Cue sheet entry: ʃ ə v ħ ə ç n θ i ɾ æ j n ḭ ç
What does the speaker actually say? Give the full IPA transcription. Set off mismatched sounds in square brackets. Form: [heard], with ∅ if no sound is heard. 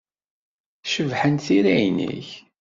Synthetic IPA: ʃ ə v ħ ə [∅] n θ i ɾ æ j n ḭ ç